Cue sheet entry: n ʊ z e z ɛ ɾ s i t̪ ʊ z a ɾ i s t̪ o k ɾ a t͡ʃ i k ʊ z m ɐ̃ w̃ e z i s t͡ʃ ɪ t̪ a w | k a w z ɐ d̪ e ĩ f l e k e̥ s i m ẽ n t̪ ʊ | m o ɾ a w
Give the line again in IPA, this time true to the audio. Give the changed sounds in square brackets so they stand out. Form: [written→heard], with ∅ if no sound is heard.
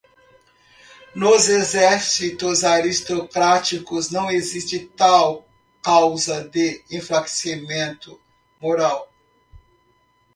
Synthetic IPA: n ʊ z e z ɛ ɾ s i t̪ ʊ z a ɾ i s t̪ o k ɾ a t͡ʃ i k ʊ z [m→n] ɐ̃ w̃ e z i s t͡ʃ ɪ t̪ a w | k a w z ɐ d̪ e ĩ f l [e→a] k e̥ s i m ẽ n t̪ ʊ | m o ɾ a w